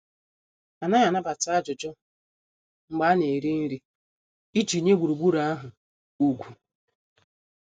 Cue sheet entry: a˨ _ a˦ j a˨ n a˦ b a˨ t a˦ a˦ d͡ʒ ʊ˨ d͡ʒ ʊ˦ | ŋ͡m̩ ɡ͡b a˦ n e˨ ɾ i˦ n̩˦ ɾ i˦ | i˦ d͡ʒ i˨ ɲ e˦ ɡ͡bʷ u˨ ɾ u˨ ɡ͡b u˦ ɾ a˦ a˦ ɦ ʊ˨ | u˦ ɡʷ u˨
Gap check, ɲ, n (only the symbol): n